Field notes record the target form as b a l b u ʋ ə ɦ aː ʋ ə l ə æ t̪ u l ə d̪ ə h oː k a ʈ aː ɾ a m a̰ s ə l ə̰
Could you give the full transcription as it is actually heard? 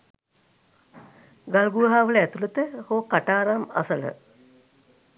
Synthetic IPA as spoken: ɡ a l ɡ u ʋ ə ɦ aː ʋ ə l ə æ t̪ u l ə t̪ ə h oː k a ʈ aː ɾ a m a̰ s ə l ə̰